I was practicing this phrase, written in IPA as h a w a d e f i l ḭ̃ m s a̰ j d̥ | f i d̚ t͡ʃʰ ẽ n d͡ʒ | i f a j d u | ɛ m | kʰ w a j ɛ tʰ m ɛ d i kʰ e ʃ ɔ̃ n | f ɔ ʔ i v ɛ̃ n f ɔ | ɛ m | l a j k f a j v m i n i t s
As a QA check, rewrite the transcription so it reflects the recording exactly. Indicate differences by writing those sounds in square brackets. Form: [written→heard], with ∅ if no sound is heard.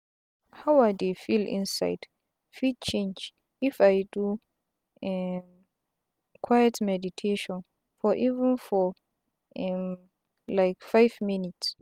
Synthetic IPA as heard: h a w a d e f i l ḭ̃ [m→n] s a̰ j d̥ | f i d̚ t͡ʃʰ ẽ n d͡ʒ | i f a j d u | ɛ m | kʰ w a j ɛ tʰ m ɛ d i [kʰ→tʰ] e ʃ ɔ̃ n | f ɔ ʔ i v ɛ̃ n f ɔ | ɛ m | l a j k f a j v m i n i t s